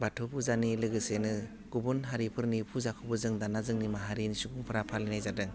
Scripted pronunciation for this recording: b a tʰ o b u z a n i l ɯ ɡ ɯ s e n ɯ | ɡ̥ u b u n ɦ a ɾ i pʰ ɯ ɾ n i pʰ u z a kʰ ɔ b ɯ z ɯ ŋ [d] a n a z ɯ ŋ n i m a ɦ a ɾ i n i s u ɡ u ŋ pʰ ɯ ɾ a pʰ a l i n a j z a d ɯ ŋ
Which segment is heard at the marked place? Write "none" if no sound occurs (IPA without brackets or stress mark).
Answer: d